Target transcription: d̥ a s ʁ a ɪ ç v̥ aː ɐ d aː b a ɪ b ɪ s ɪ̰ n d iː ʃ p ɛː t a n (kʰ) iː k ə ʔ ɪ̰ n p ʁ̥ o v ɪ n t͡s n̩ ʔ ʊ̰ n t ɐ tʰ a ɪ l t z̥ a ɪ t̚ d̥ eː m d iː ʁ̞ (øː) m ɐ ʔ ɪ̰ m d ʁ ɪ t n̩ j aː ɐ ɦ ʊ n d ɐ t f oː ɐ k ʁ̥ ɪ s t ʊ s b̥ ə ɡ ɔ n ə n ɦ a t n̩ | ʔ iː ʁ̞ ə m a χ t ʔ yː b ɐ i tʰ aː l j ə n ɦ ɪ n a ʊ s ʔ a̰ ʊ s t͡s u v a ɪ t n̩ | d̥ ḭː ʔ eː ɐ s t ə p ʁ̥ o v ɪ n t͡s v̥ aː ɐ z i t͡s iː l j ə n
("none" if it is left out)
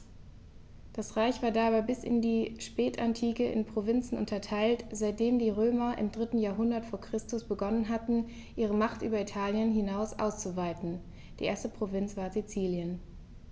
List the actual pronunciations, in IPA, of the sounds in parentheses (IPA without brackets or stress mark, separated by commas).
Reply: tʰ, øː